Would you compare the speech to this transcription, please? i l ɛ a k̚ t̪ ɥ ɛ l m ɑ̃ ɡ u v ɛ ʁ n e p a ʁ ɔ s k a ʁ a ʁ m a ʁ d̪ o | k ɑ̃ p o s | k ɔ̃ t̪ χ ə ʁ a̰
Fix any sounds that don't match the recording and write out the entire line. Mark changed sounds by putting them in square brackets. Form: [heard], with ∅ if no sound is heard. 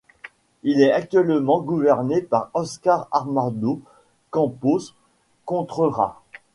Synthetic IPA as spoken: i l ɛ a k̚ t̪ ɥ ɛ l m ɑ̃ ɡ u v ɛ ʁ n e p a ʁ ɔ s k a ʁ a ʁ m a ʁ d̪ o | k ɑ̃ p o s | k ɔ̃ t̪ χ ə ʁ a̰